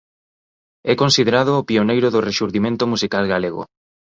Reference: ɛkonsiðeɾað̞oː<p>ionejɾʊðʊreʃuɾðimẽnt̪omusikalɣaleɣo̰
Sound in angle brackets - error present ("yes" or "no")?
no